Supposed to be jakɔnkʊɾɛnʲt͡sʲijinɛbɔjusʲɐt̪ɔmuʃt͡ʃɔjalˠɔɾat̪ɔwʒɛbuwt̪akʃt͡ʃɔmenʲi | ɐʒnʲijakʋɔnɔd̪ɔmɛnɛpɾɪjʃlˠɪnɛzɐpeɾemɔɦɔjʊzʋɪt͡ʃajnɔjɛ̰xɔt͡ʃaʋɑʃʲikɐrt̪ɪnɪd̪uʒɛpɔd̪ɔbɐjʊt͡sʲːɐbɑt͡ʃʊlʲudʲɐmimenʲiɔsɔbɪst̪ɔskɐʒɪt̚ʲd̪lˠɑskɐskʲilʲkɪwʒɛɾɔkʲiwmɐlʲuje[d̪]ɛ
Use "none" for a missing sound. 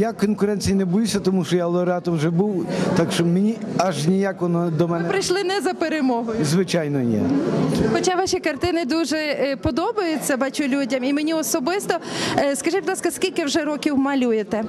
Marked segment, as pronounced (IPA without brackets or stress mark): t̪